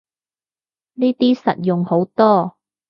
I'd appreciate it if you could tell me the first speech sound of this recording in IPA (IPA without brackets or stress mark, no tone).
n